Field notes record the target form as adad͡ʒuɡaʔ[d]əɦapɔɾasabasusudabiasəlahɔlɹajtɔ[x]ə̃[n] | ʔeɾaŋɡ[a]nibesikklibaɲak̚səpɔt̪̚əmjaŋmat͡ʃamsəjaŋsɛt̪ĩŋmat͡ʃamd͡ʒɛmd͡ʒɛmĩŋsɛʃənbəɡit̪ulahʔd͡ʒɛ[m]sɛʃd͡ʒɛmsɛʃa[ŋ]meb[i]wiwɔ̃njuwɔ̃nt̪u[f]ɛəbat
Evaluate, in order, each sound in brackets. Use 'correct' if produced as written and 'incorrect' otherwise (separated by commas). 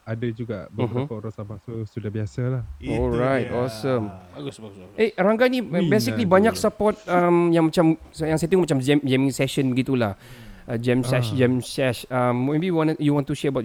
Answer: incorrect, incorrect, incorrect, correct, correct, incorrect, correct, incorrect